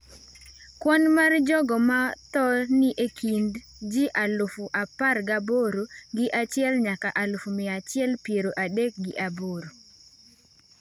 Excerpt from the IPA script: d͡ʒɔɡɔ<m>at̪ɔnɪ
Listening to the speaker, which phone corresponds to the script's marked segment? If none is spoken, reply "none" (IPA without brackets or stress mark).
m